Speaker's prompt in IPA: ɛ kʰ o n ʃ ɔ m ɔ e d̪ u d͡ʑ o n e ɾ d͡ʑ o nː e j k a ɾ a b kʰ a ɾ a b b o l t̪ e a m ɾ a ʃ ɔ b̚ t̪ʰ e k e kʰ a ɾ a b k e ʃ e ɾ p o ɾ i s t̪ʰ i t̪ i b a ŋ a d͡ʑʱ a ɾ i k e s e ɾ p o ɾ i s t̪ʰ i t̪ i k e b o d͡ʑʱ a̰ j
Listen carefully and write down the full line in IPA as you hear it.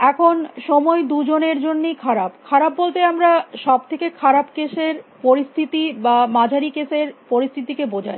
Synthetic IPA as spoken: ɛ kʰ o n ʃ ɔ m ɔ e d̪ u d͡ʑ o n e ɾ d͡ʑ o nː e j kʰ a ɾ a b kʰ a ɾ a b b o l t̪ e a m ɾ a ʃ ɔ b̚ t̪ʰ e k e kʰ a ɾ a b k e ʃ e ɾ p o ɾ i s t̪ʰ i t̪ i b a m a d͡ʑʱ a ɾ i k e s e ɾ p o ɾ i s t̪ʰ i t̪ i k e b o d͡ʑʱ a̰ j